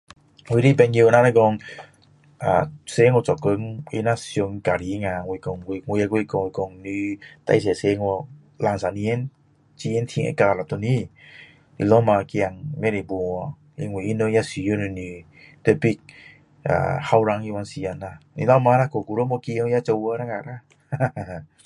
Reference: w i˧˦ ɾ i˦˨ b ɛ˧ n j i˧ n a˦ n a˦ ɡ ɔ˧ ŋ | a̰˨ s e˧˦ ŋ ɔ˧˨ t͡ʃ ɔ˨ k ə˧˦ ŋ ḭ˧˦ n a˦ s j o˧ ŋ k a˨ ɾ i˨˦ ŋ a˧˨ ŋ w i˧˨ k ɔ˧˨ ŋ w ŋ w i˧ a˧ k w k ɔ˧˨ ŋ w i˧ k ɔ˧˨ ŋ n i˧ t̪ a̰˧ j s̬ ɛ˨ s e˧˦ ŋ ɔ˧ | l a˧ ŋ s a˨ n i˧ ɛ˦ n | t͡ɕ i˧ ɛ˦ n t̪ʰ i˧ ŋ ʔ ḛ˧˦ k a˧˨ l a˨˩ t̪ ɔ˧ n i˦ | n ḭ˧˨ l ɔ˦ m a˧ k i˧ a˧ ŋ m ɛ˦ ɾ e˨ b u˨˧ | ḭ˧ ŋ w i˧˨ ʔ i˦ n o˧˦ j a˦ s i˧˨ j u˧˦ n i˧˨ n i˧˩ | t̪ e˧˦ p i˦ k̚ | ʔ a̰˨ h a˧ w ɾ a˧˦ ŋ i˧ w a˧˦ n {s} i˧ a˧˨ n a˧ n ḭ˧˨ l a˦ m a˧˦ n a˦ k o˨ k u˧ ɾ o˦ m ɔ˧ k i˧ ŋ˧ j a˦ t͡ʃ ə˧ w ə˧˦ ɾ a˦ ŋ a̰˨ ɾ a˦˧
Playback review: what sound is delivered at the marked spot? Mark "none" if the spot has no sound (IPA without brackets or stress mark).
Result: s